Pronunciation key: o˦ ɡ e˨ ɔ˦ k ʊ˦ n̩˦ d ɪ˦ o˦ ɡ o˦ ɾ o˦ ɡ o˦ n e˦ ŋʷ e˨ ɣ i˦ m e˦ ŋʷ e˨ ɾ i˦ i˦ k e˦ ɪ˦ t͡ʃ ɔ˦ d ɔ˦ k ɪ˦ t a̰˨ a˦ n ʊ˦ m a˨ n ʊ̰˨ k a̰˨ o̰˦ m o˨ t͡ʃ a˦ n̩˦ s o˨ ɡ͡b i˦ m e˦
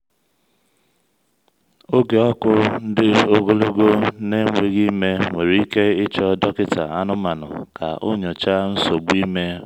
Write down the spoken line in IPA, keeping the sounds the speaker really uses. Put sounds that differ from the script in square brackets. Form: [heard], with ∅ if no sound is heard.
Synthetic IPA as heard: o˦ ɡ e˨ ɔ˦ k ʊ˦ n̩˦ d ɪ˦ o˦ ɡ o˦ [l] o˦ ɡ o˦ n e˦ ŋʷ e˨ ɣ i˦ m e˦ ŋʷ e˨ ɾ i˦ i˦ k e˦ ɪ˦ t͡ʃ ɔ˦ d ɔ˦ k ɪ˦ t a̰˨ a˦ n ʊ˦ m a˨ n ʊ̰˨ k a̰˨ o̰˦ [ɲ] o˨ t͡ʃ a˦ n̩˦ s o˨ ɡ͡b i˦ m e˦